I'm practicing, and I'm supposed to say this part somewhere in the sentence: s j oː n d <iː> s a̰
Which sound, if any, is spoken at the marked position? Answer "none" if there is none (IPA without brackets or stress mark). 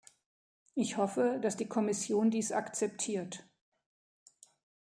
iː